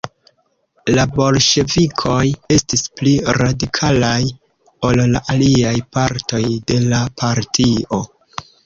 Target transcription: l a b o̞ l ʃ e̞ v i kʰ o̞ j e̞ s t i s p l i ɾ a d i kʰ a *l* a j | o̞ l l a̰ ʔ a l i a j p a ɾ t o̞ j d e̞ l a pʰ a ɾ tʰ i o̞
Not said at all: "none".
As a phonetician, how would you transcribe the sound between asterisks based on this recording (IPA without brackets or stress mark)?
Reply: l